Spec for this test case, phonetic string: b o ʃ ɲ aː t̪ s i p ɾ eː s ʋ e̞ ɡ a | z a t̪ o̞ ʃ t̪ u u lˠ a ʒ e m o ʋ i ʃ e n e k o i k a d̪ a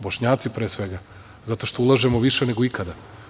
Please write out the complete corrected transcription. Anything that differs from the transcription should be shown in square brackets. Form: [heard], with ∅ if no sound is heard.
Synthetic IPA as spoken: b o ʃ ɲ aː t̪ s i p ɾ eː s ʋ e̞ ɡ a | z a t̪ o̞ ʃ t̪ [o] u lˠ a ʒ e m o ʋ i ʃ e n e [ɡ] o i k a d̪ a